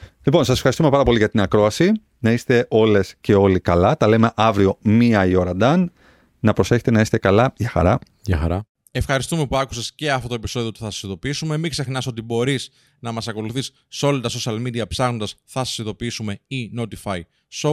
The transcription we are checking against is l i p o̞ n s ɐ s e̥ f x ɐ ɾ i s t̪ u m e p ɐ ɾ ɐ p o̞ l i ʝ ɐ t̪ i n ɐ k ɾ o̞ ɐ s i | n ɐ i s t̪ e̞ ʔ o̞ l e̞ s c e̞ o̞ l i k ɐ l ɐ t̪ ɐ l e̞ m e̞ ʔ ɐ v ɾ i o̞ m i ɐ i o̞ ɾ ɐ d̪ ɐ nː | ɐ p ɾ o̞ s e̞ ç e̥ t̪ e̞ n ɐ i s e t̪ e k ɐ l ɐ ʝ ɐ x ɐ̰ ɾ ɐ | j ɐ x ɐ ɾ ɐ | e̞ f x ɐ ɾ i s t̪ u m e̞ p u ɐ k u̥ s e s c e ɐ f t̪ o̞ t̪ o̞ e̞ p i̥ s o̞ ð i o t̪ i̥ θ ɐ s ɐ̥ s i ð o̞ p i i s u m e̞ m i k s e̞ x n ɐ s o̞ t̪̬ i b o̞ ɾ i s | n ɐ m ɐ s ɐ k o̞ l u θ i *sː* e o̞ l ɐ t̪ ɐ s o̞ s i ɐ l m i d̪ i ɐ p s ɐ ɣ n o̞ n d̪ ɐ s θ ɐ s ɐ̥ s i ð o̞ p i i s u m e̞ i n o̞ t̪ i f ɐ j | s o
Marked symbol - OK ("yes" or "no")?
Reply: yes